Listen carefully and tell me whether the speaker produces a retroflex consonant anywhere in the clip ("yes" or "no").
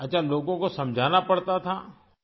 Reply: yes